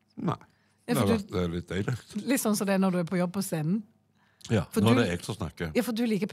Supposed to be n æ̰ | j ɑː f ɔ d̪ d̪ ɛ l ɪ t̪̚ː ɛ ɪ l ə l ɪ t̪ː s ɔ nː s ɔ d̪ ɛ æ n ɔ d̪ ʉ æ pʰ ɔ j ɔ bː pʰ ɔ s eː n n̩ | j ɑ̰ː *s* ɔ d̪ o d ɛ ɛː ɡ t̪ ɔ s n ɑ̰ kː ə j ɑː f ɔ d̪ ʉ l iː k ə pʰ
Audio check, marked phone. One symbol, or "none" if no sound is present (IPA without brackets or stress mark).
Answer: f